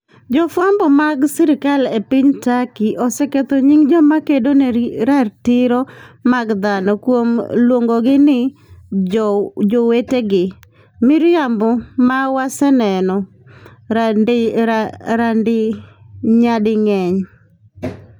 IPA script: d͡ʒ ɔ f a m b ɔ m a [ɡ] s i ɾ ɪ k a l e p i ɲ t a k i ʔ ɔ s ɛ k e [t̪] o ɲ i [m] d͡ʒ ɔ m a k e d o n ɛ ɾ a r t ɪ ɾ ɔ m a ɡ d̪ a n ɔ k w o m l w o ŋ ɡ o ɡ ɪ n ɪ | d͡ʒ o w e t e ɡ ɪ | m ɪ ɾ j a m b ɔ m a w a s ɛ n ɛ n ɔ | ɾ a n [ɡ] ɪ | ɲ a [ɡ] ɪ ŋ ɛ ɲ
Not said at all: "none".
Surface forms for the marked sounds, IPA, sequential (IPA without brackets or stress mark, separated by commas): ɡ, t̪, ŋ, d, d